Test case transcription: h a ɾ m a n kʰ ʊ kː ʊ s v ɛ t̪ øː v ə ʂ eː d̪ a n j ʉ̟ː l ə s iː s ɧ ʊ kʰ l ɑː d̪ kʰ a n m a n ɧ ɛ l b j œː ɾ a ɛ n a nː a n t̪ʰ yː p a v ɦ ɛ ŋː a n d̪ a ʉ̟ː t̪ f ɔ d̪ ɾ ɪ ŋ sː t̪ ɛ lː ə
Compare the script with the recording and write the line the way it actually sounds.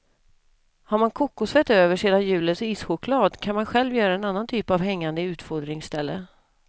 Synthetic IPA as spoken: h a ɾ m a n kʰ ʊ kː ʊ s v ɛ t̪ øː v ə ʂ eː d̪ a n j ʉ̟ː l ə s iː s ɧ ʊ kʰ l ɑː d̪ kʰ a n m a n ɧ ɛ l v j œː ɾ a ɛ n a nː a n t̪ʰ yː p a v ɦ ɛ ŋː a n d̪ ə ʉ̟ː t̪ f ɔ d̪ ɾ ɪ ŋ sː t̪ ɛ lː ə